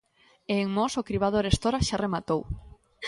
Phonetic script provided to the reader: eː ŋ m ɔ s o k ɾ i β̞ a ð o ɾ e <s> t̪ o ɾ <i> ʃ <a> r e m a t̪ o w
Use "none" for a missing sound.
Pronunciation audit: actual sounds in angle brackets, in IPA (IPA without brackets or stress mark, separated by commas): s, a, a